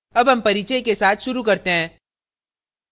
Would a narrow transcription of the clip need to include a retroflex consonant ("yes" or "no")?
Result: no